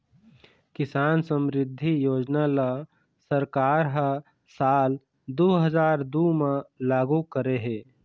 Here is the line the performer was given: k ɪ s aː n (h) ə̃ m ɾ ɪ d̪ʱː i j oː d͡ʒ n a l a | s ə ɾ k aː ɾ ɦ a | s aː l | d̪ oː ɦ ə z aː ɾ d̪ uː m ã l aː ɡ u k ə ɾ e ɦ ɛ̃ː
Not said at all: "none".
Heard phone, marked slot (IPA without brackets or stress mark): s